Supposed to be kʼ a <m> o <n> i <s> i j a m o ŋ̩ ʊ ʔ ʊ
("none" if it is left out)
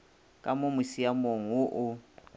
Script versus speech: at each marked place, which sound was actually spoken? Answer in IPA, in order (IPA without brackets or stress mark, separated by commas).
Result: m, m, s